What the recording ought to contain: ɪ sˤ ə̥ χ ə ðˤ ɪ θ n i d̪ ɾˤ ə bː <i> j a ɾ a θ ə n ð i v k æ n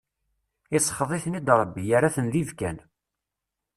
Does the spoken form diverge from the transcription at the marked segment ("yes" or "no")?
no